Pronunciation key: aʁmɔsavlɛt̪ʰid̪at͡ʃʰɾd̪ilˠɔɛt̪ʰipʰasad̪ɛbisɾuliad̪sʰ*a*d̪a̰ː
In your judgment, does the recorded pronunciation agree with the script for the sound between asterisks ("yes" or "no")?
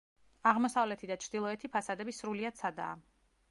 yes